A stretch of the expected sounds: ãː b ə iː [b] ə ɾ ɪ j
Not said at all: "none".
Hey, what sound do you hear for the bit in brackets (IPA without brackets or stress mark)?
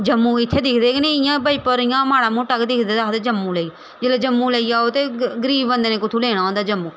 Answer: p